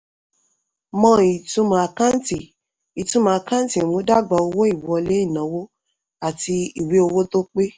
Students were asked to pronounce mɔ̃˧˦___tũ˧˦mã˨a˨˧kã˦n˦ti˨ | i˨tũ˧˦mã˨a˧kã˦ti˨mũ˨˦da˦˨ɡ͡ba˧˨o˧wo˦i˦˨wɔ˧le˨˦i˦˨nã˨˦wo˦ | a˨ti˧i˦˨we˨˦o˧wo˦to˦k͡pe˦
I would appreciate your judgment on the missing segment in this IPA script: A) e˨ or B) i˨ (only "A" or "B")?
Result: B